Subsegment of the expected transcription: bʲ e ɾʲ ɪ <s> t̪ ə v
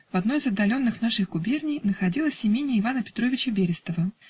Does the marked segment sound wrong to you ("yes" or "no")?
no